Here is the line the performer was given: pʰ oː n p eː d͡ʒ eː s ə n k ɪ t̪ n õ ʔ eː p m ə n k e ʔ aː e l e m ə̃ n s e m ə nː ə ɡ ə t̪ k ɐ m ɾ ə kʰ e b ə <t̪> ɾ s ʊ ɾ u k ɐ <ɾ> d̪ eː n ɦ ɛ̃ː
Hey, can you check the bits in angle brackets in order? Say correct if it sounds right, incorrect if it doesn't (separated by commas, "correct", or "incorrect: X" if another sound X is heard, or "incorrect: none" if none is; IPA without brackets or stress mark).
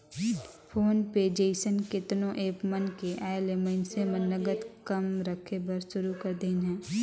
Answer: incorrect: none, correct